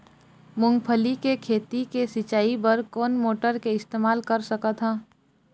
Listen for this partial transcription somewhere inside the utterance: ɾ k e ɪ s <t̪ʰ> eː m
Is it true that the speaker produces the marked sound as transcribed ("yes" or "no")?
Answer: no